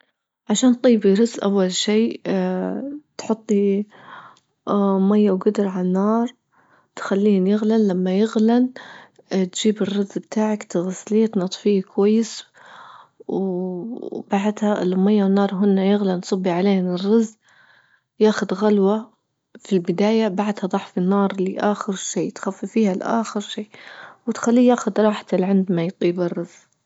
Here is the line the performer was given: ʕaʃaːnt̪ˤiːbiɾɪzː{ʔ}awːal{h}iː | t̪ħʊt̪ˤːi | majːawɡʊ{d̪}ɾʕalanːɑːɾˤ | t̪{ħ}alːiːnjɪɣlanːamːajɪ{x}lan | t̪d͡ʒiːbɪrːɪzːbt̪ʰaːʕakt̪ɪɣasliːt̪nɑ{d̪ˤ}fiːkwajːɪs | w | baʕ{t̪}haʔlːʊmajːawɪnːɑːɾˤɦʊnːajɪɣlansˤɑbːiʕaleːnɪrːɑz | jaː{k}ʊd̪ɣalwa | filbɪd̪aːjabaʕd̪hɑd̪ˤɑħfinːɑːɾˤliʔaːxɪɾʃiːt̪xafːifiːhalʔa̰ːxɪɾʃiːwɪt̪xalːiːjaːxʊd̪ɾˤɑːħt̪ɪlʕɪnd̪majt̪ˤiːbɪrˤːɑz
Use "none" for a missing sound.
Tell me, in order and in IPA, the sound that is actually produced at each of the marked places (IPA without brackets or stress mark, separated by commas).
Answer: ʔ, ʃ, d̪, x, ɣ, t̪ˤ, d̪, x